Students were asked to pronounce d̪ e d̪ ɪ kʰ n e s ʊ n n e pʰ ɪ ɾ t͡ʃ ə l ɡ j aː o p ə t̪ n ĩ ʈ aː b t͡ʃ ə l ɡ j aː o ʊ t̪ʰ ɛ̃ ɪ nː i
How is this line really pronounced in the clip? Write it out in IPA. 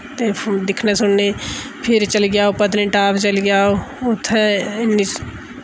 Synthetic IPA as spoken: t̪ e d̪ ɪ kʰ n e s ʊ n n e pʰ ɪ ɾ t͡ʃ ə l ɡ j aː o p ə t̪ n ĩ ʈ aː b t͡ʃ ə l ɡ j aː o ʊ t̪ʰ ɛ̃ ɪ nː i